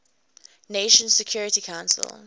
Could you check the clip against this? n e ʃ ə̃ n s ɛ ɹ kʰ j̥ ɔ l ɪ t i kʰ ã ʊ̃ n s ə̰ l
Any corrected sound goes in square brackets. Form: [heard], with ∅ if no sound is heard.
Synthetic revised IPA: n e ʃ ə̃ n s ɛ [∅] kʰ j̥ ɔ [ɹ] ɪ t i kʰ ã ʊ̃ n s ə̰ l